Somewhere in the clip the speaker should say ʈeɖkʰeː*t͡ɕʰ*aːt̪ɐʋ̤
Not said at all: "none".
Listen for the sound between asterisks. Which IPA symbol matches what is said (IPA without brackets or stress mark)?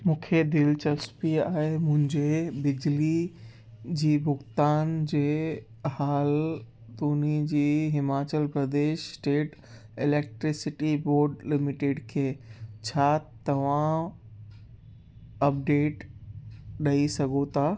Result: t͡ɕʰ